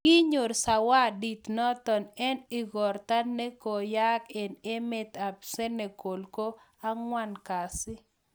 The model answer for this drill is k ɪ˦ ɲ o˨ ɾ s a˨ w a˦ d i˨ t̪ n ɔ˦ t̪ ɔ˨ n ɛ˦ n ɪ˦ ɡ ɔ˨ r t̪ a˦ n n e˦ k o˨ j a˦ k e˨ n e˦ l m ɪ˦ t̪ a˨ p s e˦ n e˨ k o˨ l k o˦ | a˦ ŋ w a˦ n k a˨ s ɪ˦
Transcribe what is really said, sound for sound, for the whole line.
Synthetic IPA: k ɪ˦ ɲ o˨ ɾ s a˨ w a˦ d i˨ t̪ n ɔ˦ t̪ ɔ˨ n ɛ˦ n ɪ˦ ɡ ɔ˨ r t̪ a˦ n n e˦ k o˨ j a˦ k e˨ n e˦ m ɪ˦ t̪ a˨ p s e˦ n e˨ k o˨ l k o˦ | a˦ ŋ w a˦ n k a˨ s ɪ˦